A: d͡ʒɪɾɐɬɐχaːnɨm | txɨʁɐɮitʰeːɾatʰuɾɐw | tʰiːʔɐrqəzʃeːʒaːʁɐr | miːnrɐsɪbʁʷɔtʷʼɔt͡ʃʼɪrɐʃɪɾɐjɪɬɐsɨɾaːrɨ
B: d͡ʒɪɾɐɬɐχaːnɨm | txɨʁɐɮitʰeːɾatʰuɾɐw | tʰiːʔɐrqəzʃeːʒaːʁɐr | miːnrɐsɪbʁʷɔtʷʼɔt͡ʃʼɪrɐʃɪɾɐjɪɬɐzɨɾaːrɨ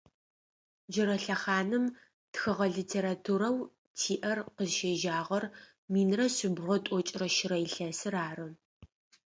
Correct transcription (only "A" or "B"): A